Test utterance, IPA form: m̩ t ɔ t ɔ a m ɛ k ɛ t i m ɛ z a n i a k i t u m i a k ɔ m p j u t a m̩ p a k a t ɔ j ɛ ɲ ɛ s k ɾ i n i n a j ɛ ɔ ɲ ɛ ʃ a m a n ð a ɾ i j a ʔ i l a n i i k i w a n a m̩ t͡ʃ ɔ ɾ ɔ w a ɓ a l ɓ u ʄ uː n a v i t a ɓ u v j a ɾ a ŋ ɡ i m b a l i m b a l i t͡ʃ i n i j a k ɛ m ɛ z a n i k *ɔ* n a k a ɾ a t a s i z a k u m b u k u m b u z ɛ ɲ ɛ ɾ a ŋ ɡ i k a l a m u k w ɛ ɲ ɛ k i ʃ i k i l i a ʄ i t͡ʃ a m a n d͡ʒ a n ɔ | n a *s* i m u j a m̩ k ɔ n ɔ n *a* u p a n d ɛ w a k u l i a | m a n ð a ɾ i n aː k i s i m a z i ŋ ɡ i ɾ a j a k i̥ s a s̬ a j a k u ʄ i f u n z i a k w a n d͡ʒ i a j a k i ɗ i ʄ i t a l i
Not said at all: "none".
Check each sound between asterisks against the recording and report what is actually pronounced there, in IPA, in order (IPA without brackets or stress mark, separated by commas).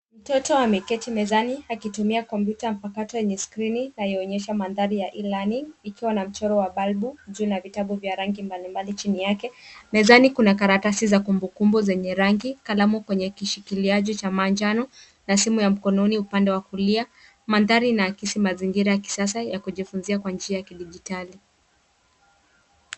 u, s, i